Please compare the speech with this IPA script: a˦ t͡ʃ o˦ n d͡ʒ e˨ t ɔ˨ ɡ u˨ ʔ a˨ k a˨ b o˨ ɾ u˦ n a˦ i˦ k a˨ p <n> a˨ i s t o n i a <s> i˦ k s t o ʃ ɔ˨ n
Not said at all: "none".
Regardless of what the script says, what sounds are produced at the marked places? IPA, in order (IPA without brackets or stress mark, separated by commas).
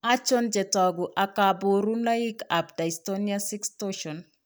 d, s